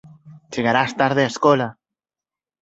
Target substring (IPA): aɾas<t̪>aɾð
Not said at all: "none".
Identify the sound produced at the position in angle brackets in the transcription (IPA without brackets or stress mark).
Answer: t̪